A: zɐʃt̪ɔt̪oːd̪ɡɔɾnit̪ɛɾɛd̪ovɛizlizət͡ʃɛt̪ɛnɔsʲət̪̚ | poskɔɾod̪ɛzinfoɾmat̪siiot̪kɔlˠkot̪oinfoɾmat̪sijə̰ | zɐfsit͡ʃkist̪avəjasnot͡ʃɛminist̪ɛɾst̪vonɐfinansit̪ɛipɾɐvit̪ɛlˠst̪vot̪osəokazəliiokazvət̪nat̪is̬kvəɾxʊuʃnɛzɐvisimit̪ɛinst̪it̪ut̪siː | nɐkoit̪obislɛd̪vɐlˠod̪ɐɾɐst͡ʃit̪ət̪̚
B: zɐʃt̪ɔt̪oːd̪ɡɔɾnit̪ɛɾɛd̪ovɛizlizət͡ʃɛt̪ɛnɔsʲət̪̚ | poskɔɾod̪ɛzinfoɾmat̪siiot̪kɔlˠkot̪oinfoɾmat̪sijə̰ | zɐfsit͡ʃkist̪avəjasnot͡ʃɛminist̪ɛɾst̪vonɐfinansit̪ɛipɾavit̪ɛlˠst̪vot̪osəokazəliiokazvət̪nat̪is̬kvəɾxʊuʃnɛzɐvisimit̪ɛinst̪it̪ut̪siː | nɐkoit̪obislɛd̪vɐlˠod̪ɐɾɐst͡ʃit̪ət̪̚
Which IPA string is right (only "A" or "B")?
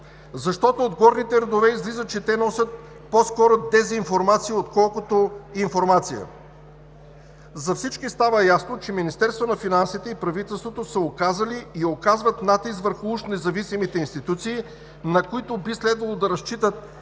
A